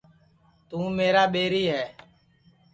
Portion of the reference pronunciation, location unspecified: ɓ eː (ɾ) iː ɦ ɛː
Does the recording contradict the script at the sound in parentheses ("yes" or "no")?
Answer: no